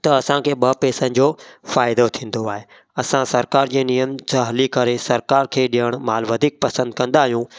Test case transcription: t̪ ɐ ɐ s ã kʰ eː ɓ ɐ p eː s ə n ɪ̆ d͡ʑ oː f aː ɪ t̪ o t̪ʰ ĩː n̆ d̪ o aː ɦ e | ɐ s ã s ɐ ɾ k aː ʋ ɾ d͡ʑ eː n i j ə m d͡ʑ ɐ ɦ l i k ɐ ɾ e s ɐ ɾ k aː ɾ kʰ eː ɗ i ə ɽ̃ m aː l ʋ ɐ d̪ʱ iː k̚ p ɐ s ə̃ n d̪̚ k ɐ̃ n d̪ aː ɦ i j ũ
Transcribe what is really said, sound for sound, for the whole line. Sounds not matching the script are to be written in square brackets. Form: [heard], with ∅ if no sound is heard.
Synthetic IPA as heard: t̪ ɐ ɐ s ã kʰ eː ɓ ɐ p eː s ə n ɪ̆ d͡ʑ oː f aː ɪ [d̪] o t̪ʰ ĩː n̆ d̪ o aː ɦ e | ɐ s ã s ɐ ɾ k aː [∅] ɾ d͡ʑ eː n i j ə m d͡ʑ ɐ ɦ l i k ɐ ɾ e s ɐ ɾ k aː ɾ kʰ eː ɗ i ə ɽ̃ m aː l ʋ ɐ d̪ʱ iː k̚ p ɐ s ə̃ n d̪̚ k ɐ̃ n d̪ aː ɦ i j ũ